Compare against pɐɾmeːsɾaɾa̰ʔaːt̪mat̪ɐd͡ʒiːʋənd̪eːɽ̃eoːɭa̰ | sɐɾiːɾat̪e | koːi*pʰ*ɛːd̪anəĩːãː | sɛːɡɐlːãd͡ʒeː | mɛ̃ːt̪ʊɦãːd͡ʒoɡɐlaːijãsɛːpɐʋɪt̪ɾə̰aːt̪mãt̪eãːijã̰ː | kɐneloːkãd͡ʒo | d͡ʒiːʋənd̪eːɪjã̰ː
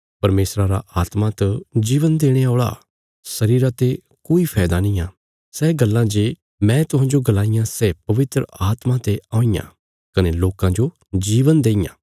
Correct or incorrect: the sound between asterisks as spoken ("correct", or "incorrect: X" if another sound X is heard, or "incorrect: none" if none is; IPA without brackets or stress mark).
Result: correct